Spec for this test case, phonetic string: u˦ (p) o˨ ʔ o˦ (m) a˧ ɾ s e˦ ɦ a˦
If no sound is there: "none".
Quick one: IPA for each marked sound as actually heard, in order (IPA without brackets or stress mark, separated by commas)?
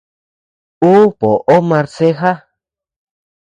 p, m